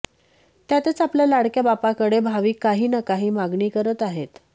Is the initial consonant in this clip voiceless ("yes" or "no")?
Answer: yes